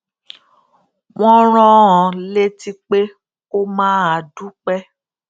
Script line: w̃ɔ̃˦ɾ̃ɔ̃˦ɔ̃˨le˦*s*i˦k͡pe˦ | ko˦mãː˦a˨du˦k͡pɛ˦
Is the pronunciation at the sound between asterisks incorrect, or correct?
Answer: incorrect